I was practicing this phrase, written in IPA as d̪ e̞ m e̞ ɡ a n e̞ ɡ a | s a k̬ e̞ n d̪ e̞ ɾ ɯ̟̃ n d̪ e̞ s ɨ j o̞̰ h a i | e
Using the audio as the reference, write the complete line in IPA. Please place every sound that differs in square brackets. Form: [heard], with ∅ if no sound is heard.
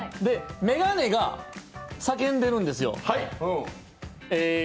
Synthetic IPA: d̪ e̞ m e̞ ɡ a n e̞ ɡ a | s a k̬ [ẽ̞] n d̪ e̞ ɾ ɯ̟̃ n d̪ e̞ s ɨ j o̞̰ h a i | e